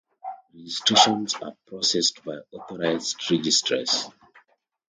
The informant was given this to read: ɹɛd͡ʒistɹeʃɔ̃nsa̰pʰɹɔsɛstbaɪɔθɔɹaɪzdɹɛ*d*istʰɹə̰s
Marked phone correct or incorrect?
incorrect